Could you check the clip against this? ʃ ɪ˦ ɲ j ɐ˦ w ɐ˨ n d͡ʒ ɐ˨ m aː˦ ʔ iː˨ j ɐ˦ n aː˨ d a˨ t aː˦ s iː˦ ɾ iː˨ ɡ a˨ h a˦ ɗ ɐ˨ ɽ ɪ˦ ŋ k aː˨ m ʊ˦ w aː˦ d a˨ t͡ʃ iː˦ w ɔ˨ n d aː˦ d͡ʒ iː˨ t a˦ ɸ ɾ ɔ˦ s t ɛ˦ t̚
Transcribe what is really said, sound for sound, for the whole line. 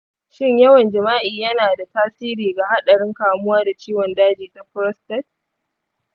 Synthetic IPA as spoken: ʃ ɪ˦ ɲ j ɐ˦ w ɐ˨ n d͡ʒ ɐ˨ m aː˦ ʔ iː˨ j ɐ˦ n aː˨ d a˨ t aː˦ s iː˦ ɾ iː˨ ɡ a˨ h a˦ ɗ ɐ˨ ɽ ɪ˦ ŋ k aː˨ m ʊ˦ w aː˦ d a˨ t͡ʃ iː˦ w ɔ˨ n d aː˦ d͡ʒ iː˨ t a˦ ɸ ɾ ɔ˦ s t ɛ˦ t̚